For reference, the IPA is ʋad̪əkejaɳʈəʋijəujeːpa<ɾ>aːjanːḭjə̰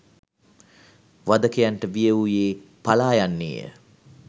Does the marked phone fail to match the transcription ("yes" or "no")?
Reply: yes